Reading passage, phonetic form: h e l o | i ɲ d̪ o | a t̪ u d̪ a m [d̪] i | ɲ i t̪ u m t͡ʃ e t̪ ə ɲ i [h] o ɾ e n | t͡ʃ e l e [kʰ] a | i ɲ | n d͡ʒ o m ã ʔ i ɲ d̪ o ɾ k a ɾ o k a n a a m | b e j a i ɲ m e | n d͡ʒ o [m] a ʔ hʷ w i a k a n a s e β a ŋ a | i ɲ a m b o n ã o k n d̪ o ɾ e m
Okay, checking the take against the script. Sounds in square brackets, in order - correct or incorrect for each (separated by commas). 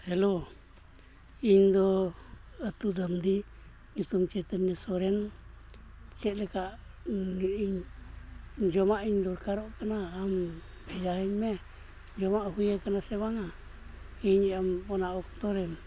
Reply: correct, incorrect, incorrect, correct